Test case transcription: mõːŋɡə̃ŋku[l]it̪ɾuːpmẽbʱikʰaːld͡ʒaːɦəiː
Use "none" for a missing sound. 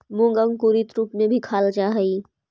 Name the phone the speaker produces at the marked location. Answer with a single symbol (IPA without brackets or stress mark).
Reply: ɾ